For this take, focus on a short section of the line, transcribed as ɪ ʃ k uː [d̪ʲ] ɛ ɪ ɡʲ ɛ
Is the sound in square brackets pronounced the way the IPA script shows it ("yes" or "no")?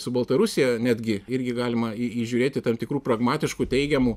no